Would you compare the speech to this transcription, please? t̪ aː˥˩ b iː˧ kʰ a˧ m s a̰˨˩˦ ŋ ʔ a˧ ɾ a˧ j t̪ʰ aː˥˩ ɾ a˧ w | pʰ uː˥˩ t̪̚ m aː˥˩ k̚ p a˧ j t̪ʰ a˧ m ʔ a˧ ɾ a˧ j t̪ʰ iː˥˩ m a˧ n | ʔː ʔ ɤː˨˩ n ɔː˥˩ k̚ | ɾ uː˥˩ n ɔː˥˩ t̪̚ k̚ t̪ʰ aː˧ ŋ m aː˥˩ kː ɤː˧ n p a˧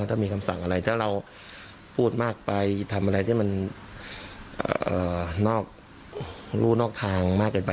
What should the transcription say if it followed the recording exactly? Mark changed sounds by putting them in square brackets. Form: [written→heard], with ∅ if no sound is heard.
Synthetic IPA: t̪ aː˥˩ [b→m] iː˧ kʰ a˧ m s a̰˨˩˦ ŋ ʔ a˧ ɾ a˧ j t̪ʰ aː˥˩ ɾ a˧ w | pʰ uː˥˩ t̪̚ m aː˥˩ k̚ p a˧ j t̪ʰ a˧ m ʔ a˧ ɾ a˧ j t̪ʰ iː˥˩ m a˧ n | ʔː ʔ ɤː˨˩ n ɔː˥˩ k̚ | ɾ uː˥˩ n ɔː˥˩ [t̪̚→∅] k̚ t̪ʰ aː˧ ŋ m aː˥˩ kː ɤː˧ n p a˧